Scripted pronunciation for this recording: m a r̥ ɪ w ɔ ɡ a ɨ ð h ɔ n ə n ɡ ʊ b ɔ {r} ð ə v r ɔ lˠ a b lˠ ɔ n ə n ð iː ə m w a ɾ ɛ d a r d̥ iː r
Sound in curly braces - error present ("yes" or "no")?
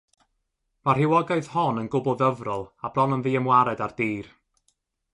yes